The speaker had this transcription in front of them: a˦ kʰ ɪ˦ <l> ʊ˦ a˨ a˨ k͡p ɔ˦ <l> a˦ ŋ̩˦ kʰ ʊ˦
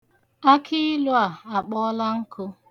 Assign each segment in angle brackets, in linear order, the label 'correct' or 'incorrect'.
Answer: correct, correct

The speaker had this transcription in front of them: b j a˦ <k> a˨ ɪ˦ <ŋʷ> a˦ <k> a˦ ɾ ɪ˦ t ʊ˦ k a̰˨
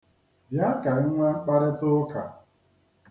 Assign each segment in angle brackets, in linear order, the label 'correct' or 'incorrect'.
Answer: correct, correct, incorrect: k͡p

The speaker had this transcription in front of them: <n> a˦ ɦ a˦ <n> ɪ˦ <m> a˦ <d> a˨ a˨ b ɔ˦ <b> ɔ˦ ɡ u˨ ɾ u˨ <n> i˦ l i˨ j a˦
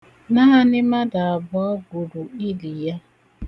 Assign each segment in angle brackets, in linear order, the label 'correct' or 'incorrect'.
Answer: correct, correct, correct, correct, incorrect: none, incorrect: none

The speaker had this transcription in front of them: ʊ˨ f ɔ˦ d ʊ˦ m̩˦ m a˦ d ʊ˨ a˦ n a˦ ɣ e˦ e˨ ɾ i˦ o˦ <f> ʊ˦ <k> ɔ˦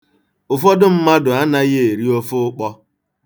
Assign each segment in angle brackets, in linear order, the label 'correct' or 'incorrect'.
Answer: correct, incorrect: k͡p

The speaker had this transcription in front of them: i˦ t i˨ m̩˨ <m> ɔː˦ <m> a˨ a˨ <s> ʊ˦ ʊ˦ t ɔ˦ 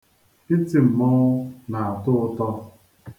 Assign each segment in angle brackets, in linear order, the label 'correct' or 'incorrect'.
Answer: correct, incorrect: n, incorrect: t

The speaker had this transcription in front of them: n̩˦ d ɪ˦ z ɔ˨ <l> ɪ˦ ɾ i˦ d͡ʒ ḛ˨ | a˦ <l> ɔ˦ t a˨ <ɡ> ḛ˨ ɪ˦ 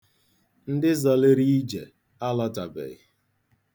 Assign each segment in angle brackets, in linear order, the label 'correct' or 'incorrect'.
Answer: correct, correct, incorrect: b

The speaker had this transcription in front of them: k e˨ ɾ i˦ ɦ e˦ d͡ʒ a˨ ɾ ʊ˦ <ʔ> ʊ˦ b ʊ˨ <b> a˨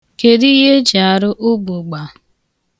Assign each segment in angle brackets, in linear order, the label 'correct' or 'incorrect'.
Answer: correct, incorrect: ɡ͡b

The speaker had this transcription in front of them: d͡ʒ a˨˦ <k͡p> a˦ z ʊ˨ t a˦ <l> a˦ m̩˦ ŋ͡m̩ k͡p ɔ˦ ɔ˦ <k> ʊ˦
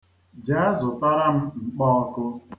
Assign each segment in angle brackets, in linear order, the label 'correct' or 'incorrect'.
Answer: incorrect: none, incorrect: ɾ, correct

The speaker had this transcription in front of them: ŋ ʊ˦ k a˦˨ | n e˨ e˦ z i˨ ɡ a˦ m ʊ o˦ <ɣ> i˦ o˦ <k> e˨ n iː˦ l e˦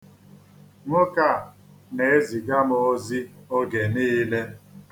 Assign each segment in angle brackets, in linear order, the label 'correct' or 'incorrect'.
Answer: incorrect: z, incorrect: ɡ

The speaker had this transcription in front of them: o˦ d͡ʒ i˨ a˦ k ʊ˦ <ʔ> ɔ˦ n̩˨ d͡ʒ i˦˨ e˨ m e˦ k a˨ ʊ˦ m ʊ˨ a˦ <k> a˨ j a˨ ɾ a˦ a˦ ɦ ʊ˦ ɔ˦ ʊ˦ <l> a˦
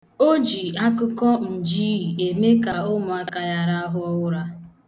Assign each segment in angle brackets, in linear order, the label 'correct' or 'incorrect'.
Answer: incorrect: k, correct, incorrect: ɾ

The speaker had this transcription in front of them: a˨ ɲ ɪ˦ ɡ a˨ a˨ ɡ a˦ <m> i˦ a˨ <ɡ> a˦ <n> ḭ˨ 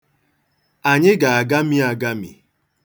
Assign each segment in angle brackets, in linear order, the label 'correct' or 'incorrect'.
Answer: correct, correct, incorrect: m

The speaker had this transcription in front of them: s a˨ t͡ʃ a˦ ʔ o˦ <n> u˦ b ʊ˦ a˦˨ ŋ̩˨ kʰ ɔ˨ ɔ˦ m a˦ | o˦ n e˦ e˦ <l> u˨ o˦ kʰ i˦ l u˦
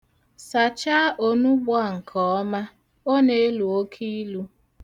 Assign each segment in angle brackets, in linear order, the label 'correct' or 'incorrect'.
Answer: correct, correct

